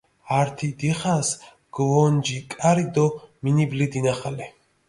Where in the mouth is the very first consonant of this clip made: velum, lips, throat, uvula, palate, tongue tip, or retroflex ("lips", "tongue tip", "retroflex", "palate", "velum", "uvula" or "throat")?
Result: tongue tip